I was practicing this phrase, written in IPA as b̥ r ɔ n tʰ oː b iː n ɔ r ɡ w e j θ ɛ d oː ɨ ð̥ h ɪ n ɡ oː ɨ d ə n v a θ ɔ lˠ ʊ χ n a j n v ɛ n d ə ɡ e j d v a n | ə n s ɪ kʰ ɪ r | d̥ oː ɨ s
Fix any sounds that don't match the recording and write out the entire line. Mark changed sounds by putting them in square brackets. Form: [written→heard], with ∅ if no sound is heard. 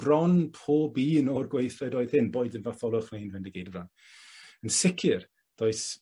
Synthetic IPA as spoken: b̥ r ɔ n [tʰ→pʰ] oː b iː n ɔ r ɡ w e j θ ɛ d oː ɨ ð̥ h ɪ n [ɡ→b] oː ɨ d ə n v a θ ɔ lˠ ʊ χ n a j n v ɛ n d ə ɡ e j d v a n | ə n s ɪ kʰ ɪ r | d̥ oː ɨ s